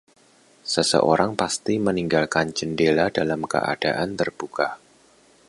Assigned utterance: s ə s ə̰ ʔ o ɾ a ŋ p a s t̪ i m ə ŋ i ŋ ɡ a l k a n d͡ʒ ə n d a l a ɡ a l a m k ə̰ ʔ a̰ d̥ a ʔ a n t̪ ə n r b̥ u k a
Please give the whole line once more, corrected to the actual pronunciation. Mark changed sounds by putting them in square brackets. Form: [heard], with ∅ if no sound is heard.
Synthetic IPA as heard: s ə s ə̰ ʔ o ɾ a ŋ p a s t̪ i m ə [n] i ŋ ɡ a l k a n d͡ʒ ə n d [e] l a [d] a l a m k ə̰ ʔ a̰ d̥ a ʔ a n t̪ ə [∅] r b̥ u k a